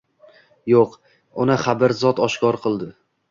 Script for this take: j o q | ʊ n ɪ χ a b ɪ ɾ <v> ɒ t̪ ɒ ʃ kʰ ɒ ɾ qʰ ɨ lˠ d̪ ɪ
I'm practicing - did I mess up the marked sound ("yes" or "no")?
yes